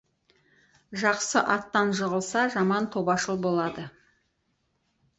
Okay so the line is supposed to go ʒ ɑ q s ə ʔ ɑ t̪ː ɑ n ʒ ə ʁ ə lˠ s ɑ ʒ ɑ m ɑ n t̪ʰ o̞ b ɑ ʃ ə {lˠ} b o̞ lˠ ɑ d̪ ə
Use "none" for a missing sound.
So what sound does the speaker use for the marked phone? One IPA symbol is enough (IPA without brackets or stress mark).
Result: lˠ